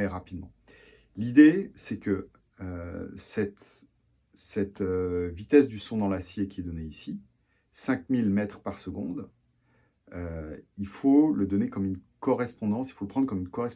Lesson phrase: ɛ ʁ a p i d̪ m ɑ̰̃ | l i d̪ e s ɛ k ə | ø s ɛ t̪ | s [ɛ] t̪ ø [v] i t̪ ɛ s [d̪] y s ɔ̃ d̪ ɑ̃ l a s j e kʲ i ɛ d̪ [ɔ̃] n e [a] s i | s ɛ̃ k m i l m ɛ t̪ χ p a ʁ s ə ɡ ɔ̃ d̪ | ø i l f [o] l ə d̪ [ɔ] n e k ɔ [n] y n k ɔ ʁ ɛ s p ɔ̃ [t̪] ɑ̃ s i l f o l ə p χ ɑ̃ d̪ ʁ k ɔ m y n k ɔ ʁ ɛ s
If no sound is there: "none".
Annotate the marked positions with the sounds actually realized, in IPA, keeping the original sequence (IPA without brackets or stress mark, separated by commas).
ɛ, v, d̪, ɔ, i, o, ɔ, m, d̪